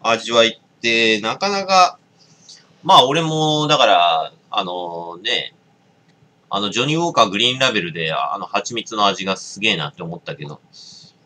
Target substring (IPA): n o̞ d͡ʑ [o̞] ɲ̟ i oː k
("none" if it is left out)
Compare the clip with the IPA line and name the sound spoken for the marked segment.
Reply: o̞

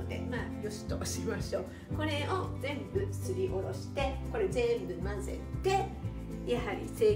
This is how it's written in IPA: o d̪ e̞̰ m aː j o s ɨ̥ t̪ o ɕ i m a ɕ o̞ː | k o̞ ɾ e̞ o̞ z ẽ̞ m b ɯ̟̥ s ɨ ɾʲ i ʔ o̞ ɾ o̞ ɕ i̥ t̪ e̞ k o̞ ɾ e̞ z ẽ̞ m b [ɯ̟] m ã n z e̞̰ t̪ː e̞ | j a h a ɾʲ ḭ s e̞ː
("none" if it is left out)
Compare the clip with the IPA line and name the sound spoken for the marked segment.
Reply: ɯ̟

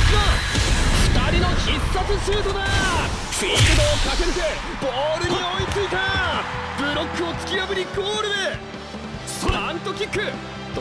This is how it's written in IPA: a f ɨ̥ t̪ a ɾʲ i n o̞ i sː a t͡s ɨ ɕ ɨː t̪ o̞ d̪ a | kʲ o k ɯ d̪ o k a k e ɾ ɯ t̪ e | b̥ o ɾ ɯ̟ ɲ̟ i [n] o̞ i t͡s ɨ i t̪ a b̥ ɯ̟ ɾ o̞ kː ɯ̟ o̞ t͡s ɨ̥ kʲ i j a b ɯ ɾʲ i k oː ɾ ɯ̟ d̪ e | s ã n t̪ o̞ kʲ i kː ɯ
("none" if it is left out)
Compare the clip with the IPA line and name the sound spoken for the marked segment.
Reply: none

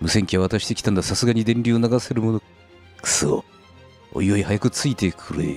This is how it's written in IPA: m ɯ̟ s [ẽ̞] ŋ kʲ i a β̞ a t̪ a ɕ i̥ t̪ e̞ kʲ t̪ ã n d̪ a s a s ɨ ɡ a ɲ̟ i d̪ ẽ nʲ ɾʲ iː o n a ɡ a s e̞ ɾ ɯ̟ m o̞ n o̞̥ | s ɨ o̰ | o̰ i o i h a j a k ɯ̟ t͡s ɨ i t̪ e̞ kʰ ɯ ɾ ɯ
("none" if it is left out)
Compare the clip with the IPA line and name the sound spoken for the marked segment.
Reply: e̞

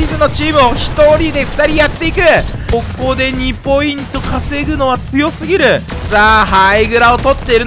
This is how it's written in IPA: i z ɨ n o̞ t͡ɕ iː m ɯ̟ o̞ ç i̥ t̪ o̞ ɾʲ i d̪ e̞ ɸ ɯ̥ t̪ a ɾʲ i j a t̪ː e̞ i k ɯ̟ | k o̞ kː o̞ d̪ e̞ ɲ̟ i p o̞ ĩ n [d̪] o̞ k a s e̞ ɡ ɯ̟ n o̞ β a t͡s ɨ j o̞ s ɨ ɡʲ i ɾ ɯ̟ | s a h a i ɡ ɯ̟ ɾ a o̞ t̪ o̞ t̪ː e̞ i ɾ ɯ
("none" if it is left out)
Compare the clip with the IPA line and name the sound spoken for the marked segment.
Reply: t̪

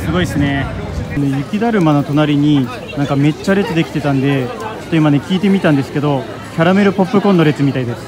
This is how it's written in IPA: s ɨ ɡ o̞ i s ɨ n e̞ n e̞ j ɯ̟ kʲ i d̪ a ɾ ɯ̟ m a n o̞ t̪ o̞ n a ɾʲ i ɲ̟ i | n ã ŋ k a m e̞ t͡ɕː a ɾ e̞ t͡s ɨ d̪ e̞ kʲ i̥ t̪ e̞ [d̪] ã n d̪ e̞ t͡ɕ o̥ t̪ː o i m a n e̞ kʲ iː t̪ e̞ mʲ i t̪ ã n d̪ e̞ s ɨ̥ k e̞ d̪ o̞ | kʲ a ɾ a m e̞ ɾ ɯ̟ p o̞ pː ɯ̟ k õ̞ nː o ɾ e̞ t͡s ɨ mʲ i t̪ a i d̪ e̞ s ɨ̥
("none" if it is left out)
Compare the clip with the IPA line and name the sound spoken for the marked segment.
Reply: t̪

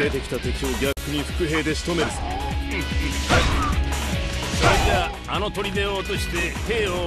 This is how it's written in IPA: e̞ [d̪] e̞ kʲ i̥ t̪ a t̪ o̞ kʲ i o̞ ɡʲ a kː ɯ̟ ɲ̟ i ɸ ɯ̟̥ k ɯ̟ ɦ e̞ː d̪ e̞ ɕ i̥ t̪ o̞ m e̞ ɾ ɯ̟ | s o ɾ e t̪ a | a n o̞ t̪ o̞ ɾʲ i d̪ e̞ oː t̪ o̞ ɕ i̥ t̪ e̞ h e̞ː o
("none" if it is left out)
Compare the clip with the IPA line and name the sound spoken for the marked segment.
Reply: t̪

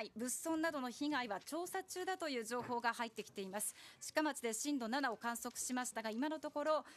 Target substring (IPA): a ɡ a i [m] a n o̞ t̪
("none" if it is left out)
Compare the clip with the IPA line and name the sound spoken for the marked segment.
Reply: m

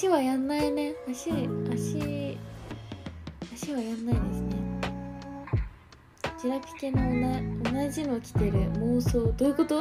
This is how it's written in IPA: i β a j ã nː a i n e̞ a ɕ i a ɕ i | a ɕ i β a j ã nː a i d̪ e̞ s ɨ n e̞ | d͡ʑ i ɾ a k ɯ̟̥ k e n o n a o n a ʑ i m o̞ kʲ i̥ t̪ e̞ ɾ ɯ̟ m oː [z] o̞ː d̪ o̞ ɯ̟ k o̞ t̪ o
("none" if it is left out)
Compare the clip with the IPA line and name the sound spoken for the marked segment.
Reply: s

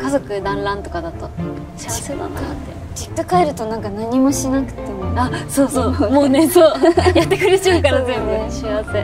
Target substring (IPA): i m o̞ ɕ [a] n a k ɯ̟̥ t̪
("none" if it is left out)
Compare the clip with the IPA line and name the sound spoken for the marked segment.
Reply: i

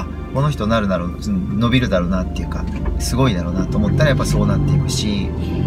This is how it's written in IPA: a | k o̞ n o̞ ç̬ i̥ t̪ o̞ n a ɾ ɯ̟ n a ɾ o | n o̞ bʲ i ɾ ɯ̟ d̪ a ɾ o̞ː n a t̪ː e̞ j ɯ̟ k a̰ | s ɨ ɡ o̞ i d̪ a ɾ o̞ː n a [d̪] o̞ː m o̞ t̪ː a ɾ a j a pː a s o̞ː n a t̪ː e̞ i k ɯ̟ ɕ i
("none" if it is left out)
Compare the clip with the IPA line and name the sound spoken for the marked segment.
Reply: t̪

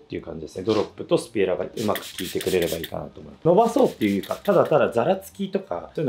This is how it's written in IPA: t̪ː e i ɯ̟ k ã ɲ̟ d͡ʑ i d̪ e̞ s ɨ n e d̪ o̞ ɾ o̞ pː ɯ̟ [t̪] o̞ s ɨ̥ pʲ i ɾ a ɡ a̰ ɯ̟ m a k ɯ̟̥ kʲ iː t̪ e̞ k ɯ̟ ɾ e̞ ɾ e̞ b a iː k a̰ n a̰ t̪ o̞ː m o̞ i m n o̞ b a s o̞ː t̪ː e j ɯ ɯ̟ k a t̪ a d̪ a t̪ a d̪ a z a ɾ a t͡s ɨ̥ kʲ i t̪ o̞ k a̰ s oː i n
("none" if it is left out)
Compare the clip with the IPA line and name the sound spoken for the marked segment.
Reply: t̪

